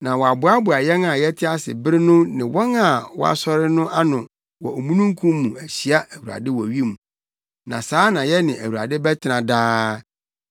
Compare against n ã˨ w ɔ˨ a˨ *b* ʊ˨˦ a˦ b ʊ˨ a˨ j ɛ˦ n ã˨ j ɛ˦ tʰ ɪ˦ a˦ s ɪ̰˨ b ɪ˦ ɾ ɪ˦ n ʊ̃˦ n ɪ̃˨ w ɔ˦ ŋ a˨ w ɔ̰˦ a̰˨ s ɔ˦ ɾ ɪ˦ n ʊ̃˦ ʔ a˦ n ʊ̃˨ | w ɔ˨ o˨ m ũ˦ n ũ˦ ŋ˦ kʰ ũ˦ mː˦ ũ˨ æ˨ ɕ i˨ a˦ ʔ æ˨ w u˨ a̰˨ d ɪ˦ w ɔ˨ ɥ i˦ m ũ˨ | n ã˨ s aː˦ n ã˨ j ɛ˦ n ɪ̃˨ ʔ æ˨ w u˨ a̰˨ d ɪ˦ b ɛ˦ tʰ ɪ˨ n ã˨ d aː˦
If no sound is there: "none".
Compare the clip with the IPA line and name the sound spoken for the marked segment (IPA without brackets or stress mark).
b